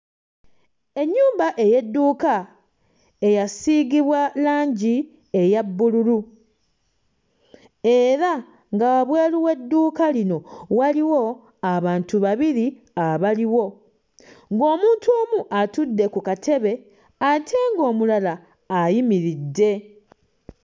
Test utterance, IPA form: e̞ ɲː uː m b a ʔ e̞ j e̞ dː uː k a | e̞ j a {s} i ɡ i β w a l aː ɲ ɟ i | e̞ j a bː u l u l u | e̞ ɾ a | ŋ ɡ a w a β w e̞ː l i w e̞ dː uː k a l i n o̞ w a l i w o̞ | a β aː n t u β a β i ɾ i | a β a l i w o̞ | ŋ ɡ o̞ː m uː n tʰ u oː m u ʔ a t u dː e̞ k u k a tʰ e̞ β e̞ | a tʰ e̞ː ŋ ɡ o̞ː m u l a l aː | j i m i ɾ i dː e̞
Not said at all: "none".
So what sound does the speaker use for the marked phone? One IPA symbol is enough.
s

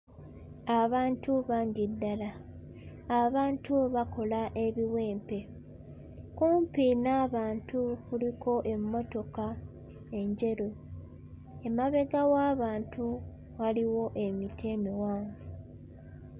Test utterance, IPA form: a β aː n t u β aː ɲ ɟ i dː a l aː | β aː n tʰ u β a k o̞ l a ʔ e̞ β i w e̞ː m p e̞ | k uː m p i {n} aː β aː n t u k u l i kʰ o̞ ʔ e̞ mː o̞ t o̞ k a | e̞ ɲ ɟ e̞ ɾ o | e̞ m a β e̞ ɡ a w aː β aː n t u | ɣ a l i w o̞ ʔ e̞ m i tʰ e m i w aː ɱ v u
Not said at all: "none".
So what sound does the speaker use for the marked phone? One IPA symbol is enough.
n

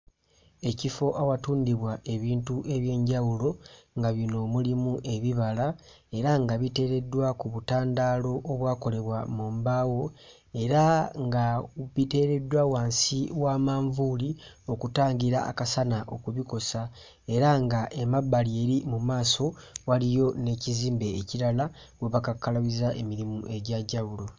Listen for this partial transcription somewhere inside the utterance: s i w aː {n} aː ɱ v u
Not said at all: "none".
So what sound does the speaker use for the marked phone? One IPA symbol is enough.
m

